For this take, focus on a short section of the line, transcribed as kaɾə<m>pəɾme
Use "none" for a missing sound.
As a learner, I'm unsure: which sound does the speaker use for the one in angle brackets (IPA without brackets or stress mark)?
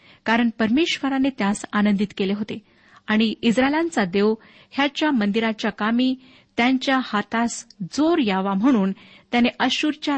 ɳ